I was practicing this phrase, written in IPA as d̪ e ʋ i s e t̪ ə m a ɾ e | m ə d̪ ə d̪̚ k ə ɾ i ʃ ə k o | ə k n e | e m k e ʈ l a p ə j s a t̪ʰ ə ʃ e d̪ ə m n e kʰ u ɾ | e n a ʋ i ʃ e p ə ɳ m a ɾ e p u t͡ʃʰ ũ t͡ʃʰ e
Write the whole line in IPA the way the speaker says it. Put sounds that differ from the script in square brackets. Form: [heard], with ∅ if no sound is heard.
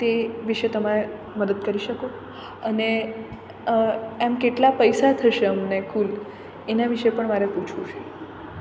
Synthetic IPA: [t̪] e ʋ i [ʃ] e t̪ ə m a ɾ e | m ə d̪ ə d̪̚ k ə ɾ i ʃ ə k o | ə [∅] n e | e m k e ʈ l a p ə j s a t̪ʰ ə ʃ e [∅] ə m n e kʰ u [l] | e n a ʋ i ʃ e p ə ɳ m a ɾ e p u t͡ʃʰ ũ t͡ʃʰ e